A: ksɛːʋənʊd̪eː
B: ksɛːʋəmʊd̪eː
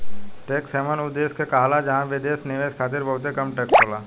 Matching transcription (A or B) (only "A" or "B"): A